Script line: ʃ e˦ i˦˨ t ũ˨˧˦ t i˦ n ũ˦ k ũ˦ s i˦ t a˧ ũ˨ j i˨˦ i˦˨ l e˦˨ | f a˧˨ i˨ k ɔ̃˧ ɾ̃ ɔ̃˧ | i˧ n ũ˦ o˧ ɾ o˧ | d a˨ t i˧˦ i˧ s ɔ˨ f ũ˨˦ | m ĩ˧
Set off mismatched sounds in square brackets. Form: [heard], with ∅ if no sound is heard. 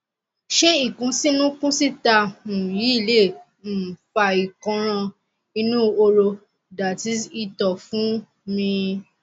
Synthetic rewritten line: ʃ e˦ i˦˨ [k] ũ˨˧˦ [s] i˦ n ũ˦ k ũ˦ s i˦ t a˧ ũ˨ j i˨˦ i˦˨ l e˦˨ | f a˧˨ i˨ k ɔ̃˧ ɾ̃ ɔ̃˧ | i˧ n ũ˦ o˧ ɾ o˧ | d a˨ t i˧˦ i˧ [t] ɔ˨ f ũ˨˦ | m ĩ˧